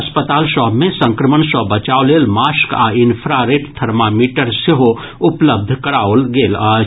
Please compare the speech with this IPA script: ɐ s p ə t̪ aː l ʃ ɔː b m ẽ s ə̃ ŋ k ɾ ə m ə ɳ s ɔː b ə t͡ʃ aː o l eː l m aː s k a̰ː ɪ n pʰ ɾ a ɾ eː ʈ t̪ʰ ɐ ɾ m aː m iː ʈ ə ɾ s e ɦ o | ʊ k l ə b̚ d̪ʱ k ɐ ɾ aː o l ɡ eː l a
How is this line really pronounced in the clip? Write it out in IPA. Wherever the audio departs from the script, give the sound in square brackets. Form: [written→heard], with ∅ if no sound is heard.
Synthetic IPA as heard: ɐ s p ə t̪ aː l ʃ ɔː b m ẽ s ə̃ ŋ k ɾ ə m ə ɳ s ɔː b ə t͡ʃ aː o l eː l m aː s k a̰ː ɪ n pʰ ɾ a ɾ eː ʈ t̪ʰ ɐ ɾ m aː m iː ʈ ə ɾ s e ɦ o | ʊ [k→p] l ə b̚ d̪ʱ k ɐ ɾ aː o l ɡ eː l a